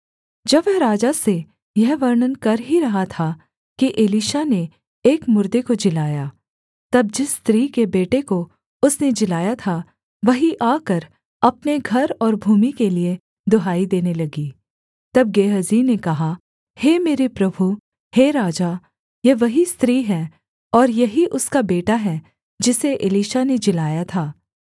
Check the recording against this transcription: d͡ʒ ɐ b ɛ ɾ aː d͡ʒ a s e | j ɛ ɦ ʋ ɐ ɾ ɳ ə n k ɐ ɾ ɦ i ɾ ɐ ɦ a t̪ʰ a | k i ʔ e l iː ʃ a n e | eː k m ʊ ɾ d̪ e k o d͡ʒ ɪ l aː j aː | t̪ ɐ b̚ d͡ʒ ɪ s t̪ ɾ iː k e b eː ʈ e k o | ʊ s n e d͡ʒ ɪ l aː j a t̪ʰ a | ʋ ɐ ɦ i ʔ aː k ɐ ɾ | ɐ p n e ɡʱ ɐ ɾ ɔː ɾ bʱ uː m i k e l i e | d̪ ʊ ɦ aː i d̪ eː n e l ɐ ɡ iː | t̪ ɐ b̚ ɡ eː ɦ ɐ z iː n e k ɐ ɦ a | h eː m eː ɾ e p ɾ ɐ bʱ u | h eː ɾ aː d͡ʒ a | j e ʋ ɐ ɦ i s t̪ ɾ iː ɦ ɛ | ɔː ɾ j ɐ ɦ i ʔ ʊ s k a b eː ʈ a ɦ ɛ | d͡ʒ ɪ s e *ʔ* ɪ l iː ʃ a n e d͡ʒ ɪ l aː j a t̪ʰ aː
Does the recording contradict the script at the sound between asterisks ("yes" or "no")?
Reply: no